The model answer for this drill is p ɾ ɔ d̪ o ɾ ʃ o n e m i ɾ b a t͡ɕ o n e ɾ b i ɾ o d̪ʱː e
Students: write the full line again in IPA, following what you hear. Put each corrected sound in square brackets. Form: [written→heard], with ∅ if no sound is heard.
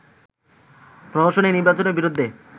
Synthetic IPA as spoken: p ɾ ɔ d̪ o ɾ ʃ o n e [m→n] i ɾ b a t͡ɕ o n e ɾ b i ɾ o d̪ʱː e